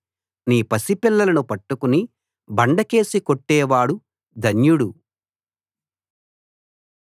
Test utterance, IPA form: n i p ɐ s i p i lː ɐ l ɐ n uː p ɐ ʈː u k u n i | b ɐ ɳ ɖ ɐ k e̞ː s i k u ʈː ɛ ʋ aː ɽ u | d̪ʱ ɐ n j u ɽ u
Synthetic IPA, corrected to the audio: n iː p ɐ s i p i lː ɐ l ɐ n u p ɐ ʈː u k u n i | b ɐ ɳ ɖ ɐ k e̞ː s i k o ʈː ɛː ʋ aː ɽ u | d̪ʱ ɐ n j u ɽ u